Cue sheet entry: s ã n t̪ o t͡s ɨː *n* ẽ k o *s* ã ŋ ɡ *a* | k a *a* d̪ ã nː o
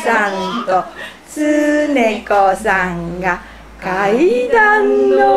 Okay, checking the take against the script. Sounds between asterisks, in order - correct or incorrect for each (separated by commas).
correct, correct, correct, incorrect